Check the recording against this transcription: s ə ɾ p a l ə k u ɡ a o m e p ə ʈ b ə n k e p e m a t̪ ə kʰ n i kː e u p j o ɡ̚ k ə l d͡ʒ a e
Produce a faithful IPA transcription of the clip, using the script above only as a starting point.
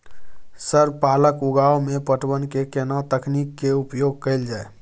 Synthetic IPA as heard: s ə ɾ p a l ə k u ɡ a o m e p ə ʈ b ə n k e k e n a t̪ ə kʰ n i kː e u p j o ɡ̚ k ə l d͡ʒ a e